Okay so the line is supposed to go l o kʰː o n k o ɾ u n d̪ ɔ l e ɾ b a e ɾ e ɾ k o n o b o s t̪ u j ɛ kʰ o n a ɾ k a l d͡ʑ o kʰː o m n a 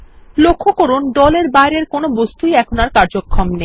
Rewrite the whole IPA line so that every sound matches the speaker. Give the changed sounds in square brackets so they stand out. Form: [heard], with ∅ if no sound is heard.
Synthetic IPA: l o kʰː o [∅] k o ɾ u n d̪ ɔ l e ɾ b a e ɾ e ɾ k o n o b o s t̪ u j ɛ kʰ o n a ɾ k a [ɾ] d͡ʑ o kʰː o m n [e]